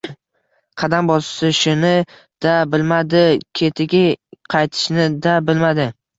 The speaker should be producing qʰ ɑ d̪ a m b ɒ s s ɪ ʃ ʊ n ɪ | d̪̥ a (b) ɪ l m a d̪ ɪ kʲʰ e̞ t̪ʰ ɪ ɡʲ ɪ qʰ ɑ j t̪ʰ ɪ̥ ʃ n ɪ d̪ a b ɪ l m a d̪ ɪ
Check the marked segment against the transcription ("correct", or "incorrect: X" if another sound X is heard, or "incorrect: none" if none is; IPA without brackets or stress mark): correct